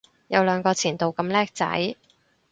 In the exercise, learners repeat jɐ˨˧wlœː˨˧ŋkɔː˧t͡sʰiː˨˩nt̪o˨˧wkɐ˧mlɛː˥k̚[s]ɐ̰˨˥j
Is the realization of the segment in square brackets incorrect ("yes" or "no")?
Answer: yes